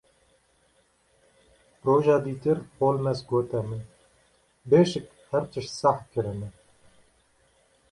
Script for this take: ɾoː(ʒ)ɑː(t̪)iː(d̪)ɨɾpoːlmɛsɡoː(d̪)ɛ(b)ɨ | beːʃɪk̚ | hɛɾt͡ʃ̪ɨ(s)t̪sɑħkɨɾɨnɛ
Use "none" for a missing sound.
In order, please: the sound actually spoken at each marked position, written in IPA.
ʒ, d̪, t̪, t̪, m, ʃ

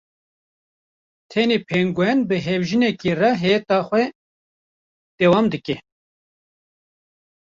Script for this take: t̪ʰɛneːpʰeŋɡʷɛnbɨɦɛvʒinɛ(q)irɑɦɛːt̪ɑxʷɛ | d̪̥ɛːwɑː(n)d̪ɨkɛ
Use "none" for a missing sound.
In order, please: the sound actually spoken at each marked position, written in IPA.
k, m

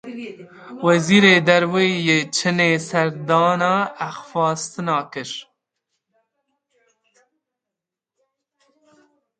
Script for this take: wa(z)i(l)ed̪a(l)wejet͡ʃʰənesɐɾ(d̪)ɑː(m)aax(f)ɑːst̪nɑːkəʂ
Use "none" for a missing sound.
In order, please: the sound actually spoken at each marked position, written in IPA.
z, ɾ, ɾ, d̪, n, f

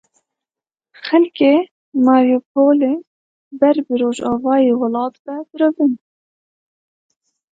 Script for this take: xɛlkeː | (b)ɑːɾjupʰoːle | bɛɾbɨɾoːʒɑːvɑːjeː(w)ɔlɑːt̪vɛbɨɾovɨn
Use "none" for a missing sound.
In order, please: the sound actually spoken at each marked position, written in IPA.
m, w

